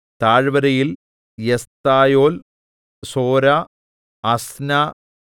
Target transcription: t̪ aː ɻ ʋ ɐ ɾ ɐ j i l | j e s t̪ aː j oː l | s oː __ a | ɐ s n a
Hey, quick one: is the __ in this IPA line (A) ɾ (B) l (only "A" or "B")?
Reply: A